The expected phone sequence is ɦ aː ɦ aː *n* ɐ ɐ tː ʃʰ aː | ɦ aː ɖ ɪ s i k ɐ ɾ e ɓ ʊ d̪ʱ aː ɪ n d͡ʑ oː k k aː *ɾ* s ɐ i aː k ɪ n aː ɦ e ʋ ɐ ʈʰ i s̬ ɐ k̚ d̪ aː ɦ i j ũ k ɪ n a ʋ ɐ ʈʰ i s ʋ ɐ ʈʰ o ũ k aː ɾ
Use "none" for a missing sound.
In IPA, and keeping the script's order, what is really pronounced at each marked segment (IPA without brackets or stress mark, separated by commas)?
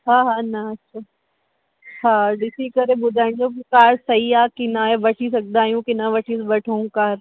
n, ɾ